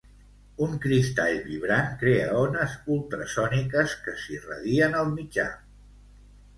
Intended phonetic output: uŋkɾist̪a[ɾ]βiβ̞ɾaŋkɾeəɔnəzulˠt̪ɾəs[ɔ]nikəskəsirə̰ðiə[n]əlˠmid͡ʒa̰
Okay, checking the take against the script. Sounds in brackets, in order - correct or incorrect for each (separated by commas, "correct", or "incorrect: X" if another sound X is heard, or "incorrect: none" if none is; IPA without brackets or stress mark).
incorrect: ʎ, correct, correct